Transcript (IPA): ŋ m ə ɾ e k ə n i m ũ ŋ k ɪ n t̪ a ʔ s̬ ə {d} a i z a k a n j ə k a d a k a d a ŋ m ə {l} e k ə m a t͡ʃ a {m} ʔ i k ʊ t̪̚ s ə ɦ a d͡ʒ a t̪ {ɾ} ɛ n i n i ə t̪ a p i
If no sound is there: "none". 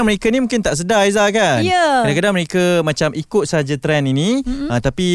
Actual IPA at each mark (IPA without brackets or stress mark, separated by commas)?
d, ɾ, m, ɾ